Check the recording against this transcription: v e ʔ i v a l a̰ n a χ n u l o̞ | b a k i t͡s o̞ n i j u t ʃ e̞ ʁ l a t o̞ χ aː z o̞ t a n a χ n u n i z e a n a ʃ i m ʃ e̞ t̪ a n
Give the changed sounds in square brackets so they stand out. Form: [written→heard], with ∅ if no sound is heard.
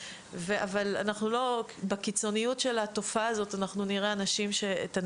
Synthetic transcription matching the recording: v e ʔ [i→a] v a l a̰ n a χ n u l o̞ | b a k i t͡s o̞ n i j u t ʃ e̞ [ʁ→∅] l a t o̞ [χ→f] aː z o̞ t a n a χ n u n i [z→ʁ] e a n a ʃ i m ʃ e̞ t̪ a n